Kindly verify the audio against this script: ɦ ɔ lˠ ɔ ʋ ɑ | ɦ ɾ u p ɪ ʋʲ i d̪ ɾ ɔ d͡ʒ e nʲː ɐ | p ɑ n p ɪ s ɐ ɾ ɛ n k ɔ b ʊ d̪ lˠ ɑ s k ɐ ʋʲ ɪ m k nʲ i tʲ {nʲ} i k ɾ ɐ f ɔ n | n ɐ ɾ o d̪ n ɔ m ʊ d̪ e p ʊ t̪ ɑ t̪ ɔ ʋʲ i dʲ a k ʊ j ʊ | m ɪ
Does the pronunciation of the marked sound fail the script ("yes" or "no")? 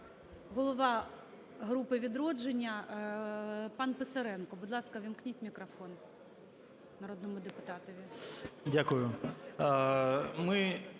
yes